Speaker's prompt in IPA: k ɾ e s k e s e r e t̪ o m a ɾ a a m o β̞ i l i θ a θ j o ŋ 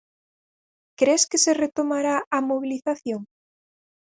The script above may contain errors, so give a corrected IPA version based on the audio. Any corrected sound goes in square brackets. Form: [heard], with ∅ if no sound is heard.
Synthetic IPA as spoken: k ɾ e s k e s e r e t̪ o m a ɾ a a m o β̞ i l i θ a θ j o ŋ